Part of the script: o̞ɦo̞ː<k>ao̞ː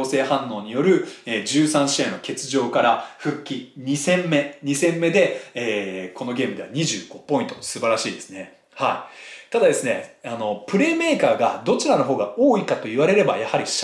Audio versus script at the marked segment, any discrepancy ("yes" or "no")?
yes